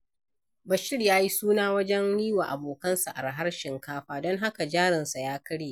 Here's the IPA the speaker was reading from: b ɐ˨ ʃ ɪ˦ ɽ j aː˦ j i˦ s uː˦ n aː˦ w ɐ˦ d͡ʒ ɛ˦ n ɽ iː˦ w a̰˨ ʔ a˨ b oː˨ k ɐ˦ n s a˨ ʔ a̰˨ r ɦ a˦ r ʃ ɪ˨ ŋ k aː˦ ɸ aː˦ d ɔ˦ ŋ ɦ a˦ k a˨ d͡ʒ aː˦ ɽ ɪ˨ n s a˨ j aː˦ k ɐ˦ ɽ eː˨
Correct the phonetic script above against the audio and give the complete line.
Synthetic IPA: b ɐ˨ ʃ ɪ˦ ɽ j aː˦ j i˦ s uː˦ n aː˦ w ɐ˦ d͡ʒ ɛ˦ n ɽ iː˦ w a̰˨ ʔ a˨ b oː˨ k ɐ˦ n s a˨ ʔ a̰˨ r ɦ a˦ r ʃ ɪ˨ ŋ k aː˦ ɸ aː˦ d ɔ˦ ŋ ɦ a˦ k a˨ d͡ʒ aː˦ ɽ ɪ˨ n s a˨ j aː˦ k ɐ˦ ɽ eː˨

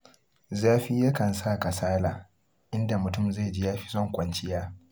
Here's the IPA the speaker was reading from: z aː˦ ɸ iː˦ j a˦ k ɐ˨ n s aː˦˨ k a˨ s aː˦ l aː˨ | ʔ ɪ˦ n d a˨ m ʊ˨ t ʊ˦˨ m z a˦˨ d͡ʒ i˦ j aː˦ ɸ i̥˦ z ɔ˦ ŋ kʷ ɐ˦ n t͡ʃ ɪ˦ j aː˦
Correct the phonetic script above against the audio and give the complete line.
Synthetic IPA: z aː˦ ɸ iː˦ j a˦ k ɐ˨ n s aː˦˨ k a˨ s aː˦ l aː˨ | ʔ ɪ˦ n d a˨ m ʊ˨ t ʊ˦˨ m z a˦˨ d͡ʒ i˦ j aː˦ ɸ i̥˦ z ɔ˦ ŋ kʷ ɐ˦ n t͡ʃ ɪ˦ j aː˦

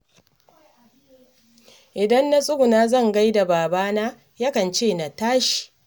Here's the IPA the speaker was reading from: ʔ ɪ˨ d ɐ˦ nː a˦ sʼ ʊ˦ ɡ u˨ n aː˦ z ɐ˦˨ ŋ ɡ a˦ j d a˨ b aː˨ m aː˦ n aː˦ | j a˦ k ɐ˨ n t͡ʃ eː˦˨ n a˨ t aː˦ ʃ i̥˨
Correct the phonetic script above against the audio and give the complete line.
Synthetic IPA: ʔ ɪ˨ d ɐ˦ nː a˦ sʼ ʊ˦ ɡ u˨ n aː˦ z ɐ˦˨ ŋ ɡ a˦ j d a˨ b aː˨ b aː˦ n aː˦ | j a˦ k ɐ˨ n t͡ʃ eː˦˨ n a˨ t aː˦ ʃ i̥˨

